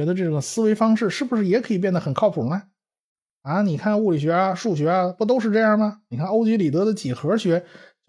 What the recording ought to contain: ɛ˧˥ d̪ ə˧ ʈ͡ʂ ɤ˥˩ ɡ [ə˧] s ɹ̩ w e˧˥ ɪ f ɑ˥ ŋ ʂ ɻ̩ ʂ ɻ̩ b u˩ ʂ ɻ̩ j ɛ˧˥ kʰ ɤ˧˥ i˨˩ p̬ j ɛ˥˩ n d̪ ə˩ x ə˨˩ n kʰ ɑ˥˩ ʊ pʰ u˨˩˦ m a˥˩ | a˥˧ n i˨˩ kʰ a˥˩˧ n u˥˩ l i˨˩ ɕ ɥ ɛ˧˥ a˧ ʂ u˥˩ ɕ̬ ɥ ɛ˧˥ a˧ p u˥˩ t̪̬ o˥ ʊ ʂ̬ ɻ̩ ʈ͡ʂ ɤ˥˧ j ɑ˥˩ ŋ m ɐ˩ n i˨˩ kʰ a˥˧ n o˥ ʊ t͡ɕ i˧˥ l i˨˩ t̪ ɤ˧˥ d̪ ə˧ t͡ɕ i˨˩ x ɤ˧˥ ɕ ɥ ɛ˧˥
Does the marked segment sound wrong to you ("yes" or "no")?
yes